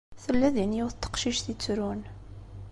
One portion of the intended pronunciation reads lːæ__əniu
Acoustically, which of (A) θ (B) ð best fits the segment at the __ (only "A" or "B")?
B